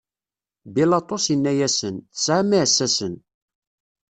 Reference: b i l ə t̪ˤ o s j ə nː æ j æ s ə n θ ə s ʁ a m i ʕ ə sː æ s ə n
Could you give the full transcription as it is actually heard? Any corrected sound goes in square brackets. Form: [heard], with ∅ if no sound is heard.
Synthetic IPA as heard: b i l [ɑ] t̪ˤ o s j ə nː æ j æ s ə n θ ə s [ʕ] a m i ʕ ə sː æ s ə n